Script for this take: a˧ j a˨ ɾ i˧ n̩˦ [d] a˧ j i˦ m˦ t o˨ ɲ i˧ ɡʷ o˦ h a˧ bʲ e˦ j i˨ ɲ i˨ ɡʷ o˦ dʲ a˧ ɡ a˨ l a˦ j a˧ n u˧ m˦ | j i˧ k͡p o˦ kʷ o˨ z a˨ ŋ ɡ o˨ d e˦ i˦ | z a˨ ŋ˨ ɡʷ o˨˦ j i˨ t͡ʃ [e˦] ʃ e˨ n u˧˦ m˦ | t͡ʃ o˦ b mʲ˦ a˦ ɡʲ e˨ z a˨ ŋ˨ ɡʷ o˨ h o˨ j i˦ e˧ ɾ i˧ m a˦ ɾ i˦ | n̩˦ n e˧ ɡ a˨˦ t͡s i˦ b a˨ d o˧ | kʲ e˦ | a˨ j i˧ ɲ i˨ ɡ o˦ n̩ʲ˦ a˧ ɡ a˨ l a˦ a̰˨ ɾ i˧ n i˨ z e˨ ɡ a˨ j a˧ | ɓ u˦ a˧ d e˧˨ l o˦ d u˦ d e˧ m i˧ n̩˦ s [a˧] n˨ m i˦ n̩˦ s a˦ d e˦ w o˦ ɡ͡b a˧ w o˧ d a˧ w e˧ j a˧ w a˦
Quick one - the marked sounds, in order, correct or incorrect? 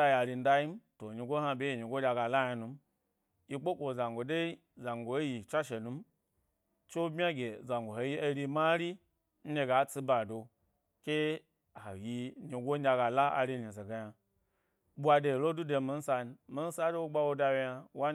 correct, incorrect, correct

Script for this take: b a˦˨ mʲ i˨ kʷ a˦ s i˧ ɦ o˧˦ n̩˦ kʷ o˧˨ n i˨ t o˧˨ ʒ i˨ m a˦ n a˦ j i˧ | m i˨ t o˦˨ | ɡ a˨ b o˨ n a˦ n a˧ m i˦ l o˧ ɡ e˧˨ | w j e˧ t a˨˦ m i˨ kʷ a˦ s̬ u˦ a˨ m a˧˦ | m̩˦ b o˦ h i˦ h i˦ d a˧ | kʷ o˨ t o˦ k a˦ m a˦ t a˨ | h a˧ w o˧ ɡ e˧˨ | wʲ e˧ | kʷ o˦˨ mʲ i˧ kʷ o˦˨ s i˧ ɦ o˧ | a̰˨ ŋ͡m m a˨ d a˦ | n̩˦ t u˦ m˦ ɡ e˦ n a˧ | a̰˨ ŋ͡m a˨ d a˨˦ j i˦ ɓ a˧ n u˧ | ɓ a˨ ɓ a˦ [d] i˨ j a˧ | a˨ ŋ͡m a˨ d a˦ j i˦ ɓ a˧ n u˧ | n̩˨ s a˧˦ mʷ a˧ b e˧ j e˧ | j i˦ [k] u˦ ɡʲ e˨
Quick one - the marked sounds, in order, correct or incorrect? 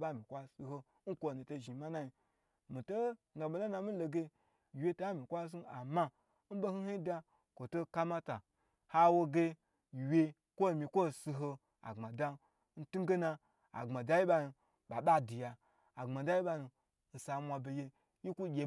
correct, correct

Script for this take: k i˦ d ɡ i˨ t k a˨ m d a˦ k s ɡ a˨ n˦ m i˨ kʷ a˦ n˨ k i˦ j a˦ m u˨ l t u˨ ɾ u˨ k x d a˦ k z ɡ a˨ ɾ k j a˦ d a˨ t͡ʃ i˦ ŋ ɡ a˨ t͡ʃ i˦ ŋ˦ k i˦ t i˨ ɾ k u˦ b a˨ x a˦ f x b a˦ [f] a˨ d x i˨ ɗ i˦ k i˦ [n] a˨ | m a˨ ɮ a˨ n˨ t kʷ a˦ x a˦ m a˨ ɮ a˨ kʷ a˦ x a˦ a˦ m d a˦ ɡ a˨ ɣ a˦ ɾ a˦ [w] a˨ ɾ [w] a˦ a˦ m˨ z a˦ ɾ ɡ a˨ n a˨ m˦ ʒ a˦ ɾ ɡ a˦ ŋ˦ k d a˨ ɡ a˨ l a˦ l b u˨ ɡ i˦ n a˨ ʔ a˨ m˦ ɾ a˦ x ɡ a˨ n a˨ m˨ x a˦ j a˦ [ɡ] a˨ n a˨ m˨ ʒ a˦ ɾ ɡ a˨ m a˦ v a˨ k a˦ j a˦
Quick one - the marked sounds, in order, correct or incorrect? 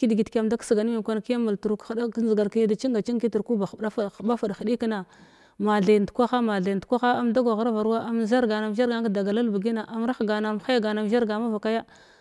correct, correct, incorrect, correct, correct

